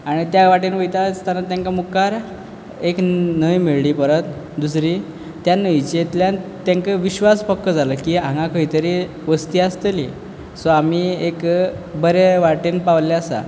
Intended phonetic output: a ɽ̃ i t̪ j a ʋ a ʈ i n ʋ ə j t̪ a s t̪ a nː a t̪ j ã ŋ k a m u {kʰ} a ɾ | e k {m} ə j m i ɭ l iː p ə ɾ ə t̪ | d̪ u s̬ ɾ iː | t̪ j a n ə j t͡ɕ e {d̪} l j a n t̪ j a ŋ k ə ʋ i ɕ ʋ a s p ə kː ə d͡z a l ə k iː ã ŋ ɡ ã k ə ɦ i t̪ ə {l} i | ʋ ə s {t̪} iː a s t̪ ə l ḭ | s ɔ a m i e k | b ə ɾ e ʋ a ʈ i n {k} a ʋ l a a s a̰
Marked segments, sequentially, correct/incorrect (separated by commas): incorrect, incorrect, incorrect, incorrect, correct, incorrect